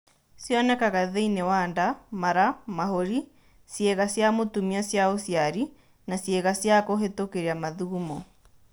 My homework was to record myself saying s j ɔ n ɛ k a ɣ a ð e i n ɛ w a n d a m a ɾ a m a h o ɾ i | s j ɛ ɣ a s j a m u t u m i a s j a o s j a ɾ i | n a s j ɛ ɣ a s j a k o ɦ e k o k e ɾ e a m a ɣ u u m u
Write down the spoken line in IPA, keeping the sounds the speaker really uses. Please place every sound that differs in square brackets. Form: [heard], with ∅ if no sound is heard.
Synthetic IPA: s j ɔ n ɛ k a ɣ a ð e i n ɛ w a n d a m a ɾ a m a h o ɾ i | s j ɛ ɣ a s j a m [o] t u m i a s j a o s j a ɾ i | n a s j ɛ ɣ a s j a k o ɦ e [t] o k e ɾ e a m a [ð] u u m [ɔ]

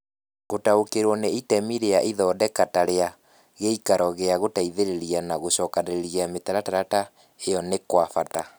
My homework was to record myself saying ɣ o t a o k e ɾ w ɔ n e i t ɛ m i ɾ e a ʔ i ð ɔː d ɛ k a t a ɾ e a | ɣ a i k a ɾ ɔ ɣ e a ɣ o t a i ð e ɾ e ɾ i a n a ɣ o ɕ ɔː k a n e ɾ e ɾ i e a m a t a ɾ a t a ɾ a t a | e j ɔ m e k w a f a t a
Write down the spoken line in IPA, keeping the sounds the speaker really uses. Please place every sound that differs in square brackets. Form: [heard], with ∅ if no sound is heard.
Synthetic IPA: ɣ o t a o k e ɾ w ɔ n e i t ɛ m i ɾ e a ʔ i ð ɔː d ɛ k a t a ɾ e a | ɣ [e] i k a ɾ ɔ ɣ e a ɣ o t a i ð e ɾ e ɾ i a n a ɣ o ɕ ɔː k a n e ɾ e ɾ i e a m [e] t a ɾ a t a ɾ a t a | e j ɔ [n] e k w a f a t a

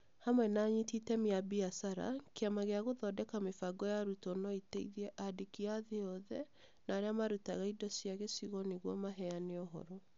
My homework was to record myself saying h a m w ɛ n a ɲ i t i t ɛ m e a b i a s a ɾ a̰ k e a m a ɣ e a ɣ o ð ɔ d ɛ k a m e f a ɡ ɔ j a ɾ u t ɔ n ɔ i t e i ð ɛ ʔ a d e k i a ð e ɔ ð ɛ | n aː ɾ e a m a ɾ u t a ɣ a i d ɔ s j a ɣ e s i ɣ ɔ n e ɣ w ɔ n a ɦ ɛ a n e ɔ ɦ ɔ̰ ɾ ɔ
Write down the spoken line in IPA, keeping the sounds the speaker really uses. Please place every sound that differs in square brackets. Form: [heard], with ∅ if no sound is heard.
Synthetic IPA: h a m w ɛ n a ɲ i t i t ɛ m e a b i a s a ɾ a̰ k e a m a ɣ e a ɣ o ð ɔ d ɛ k a m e f a ɡ ɔ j a ɾ u t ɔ n ɔ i t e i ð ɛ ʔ a d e k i a ð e ɔ ð ɛ | n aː ɾ e a m a ɾ u t a ɣ a i d ɔ s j a ɣ e s i ɣ ɔ n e ɣ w ɔ [m] a ɦ ɛ a n e ɔ ɦ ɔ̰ ɾ ɔ

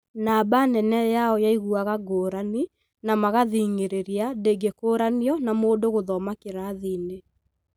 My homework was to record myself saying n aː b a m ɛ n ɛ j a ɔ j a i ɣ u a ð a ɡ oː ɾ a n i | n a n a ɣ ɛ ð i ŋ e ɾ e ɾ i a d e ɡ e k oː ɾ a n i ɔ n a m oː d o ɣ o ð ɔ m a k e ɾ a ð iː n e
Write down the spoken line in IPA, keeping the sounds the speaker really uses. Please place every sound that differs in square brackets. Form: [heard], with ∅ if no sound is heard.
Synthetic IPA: n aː b a [n] ɛ n ɛ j a ɔ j a i ɣ u a [ɣ] a ɡ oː ɾ a n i | n a [m] a ɣ [a] ð i ŋ e ɾ e ɾ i a d e ɡ e k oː ɾ a n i ɔ n a m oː d o ɣ o ð ɔ m a k e ɾ a ð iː n e

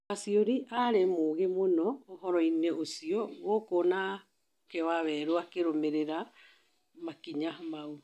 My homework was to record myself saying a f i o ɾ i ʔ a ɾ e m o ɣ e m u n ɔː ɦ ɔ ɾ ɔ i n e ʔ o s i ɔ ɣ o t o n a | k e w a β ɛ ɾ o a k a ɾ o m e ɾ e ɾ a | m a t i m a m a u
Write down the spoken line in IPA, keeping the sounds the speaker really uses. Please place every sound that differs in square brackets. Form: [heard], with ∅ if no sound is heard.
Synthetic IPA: a [s] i o ɾ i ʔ a ɾ e m o ɣ e m [o] n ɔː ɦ ɔ ɾ ɔ i n e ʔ o s i ɔ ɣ o [k] o n a | k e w a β ɛ ɾ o a k [e] ɾ o m e ɾ e ɾ a | m a [k] i [ɲ] a m a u

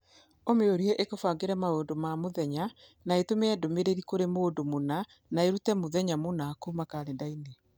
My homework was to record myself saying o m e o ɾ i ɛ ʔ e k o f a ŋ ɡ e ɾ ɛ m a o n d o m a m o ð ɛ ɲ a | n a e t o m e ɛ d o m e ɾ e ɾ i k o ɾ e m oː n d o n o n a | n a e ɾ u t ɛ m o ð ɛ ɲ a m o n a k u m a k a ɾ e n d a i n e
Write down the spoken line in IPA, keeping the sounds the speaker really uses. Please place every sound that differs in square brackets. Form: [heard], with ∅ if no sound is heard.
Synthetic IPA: o m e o ɾ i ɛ ʔ e k o f a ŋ ɡ e ɾ ɛ m a o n d o m a m o ð ɛ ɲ a | n a e t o m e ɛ d o m e ɾ e ɾ i k o ɾ e m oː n d o [m] o n a | n a e ɾ u t ɛ m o ð ɛ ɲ a m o n a k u m a k a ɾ e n d a i n e

